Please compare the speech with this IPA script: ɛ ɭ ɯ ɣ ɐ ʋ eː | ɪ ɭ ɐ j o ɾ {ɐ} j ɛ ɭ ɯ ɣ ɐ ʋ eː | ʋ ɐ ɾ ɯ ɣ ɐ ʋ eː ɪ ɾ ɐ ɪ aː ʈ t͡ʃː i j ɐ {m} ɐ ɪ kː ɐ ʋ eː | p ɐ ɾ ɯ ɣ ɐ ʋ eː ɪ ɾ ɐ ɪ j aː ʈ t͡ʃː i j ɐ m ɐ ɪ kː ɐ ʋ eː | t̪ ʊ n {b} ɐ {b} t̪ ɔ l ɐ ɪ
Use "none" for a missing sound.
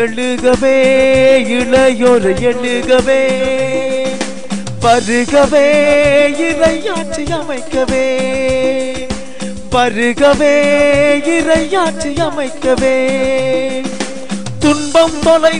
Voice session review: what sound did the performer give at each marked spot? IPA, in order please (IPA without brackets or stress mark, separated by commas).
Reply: ɐ, m, b, m